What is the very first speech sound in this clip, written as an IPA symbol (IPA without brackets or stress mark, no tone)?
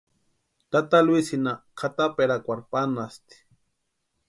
t̪